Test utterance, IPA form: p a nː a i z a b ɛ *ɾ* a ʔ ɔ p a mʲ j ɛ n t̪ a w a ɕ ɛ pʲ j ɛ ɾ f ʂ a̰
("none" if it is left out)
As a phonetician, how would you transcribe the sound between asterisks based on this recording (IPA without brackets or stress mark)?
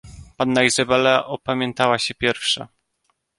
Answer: l